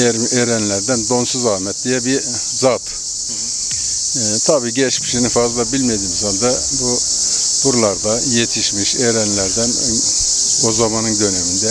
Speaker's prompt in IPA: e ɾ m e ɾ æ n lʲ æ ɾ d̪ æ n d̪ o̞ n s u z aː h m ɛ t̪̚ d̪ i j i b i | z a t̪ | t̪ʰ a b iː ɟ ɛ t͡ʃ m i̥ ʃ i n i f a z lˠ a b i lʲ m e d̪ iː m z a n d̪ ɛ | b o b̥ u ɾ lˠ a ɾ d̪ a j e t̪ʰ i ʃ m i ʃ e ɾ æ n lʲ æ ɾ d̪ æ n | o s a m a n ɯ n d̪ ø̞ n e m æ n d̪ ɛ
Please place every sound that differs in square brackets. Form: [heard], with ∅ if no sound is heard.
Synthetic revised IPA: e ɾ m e ɾ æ n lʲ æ ɾ d̪ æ n d̪ o̞ n s u z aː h m ɛ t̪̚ d̪ i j [ɛ] b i | z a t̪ | t̪ʰ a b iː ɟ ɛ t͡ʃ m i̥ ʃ i n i f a z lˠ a b i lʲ m e d̪ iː m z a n d̪ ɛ | b [u] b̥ u ɾ lˠ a ɾ d̪ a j e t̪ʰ i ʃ m i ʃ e ɾ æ n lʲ æ ɾ d̪ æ n | o [z] a m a n ɯ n d̪ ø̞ n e m [i] n d̪ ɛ